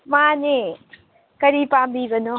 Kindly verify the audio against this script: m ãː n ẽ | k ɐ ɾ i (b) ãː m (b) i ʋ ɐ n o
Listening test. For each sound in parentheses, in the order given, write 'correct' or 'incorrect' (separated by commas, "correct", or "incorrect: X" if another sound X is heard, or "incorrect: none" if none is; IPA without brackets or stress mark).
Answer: incorrect: p, correct